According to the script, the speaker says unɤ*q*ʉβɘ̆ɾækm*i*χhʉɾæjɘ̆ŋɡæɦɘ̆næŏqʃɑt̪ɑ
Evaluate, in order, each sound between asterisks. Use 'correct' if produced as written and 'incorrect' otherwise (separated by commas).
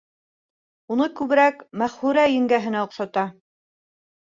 incorrect, incorrect